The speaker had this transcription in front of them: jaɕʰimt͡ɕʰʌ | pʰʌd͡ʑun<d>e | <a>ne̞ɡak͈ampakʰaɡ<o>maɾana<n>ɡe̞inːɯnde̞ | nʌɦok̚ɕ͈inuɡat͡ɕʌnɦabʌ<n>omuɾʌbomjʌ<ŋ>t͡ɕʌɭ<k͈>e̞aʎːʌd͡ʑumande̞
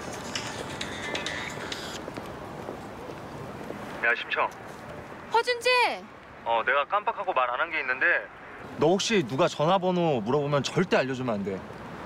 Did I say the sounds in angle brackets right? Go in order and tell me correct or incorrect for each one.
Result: incorrect, incorrect, correct, correct, correct, incorrect, incorrect

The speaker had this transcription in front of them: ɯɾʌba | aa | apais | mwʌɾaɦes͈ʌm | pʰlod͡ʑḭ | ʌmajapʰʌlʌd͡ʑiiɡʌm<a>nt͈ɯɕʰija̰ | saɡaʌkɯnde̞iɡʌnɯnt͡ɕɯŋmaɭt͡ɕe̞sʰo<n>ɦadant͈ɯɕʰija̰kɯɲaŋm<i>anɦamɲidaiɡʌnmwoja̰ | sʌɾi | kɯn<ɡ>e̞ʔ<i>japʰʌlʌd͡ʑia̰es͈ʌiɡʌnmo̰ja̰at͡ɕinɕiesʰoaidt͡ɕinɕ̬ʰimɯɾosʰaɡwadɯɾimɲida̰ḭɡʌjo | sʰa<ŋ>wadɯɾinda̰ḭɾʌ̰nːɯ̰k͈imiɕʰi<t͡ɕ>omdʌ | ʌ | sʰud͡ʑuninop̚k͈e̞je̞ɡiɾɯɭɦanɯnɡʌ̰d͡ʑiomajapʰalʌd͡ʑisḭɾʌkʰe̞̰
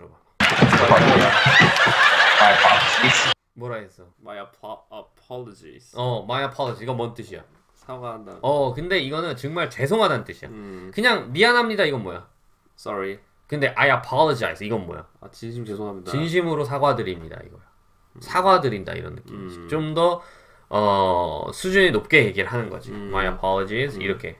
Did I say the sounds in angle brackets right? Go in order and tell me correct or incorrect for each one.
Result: incorrect, incorrect, correct, incorrect, incorrect, incorrect, correct

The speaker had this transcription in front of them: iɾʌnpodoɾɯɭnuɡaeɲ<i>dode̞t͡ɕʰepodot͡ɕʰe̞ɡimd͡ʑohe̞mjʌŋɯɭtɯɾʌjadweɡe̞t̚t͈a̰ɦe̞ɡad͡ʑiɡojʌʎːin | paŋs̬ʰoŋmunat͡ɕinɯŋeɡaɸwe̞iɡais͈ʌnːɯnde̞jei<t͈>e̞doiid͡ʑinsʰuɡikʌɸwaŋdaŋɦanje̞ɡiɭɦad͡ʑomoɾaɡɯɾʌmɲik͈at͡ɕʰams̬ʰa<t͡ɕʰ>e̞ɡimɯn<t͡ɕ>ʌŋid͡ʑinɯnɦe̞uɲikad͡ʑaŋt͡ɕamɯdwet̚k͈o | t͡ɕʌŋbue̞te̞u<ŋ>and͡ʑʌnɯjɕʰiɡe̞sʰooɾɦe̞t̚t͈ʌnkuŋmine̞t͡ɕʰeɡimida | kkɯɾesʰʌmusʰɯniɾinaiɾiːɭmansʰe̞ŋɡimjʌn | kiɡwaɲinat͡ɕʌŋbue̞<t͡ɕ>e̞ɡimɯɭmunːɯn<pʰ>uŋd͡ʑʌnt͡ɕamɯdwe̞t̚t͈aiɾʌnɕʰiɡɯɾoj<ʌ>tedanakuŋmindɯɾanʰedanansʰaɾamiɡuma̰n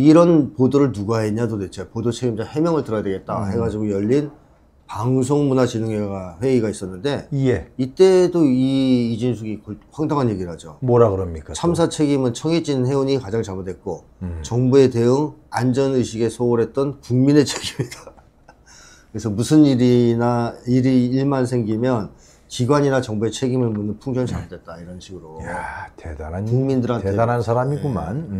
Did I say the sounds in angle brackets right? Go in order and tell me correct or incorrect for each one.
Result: incorrect, correct, correct, incorrect, correct, incorrect, correct, incorrect

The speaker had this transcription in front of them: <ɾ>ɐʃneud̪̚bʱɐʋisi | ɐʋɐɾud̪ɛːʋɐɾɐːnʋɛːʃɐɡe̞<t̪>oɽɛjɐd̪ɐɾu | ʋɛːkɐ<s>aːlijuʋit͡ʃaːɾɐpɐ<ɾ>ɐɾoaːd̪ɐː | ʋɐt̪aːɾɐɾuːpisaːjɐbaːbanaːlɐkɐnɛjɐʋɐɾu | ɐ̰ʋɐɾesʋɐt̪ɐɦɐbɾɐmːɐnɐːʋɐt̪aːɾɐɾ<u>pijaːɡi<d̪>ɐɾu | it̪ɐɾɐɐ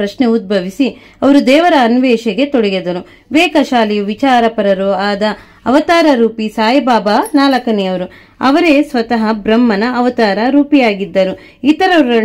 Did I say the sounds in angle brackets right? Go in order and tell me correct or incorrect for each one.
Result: correct, correct, incorrect, correct, incorrect, incorrect

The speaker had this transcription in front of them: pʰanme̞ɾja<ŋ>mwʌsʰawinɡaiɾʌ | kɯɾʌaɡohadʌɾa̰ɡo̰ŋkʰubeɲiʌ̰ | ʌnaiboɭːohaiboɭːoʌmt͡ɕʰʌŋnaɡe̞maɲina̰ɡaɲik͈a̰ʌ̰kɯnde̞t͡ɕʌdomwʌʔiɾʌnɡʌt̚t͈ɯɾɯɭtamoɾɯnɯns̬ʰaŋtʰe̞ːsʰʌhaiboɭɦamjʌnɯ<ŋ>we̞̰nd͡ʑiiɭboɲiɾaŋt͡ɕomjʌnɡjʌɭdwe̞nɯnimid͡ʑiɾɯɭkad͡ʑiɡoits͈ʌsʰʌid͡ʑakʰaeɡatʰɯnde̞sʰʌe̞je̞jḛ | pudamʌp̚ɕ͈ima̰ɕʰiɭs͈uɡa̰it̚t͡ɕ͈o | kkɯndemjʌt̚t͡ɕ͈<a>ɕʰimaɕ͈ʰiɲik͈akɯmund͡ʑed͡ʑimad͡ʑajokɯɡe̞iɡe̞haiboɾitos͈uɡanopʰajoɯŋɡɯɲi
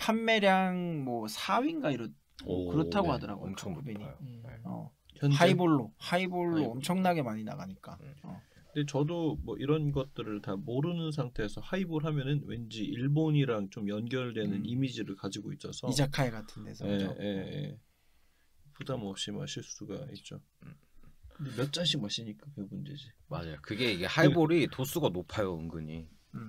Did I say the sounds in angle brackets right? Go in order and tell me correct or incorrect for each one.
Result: correct, incorrect, correct

